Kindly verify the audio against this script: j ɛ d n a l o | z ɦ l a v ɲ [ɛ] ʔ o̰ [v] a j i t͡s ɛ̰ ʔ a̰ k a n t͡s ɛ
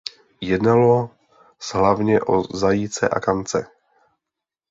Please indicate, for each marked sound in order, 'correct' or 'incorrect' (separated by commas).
correct, incorrect